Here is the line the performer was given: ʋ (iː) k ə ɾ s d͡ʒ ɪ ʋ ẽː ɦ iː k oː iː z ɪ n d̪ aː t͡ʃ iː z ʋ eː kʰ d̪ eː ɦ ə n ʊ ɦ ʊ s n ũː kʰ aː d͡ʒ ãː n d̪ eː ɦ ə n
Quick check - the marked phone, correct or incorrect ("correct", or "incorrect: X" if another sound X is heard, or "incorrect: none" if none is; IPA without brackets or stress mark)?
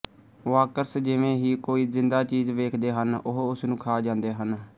incorrect: aː